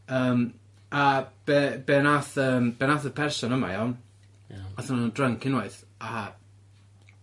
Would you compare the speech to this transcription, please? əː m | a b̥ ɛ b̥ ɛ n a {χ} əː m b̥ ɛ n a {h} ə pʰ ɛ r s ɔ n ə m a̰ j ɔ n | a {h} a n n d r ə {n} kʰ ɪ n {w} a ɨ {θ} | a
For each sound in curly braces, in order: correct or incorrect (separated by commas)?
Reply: incorrect, incorrect, incorrect, incorrect, correct, correct